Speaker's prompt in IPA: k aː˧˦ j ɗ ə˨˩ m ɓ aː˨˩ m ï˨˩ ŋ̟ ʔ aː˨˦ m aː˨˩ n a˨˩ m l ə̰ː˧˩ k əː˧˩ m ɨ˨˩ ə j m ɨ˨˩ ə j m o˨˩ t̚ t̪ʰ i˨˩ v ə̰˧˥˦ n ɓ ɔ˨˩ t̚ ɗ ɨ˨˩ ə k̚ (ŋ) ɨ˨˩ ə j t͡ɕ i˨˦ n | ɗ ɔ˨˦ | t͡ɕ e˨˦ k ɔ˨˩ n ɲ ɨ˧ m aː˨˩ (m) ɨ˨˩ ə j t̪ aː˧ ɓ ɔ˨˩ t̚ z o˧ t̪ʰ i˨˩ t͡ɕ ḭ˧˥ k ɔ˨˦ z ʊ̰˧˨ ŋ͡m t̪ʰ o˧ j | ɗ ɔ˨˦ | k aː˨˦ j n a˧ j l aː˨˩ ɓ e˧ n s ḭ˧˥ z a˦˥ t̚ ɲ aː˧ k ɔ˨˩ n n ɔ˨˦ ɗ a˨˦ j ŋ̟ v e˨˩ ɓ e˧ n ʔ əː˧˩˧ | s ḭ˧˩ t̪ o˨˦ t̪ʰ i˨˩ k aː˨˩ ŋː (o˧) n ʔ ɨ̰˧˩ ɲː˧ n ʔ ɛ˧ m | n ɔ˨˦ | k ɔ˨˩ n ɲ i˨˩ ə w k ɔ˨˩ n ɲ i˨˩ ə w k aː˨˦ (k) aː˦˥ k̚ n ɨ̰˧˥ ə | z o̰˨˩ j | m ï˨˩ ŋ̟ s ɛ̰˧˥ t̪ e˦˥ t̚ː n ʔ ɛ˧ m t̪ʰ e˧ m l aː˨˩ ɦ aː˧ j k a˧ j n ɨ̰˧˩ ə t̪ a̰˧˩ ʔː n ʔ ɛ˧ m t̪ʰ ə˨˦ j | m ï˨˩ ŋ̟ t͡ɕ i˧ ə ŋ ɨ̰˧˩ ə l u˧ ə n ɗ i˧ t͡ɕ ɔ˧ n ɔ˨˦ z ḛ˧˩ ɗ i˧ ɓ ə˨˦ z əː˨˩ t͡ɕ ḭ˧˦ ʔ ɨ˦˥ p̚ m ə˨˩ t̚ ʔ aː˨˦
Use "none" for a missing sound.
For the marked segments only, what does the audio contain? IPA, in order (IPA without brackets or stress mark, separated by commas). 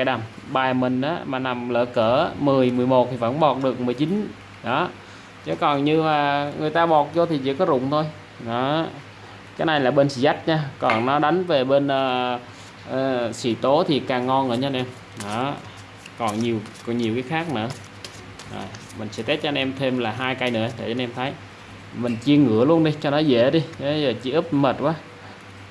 m, ŋ, ɔ˧, x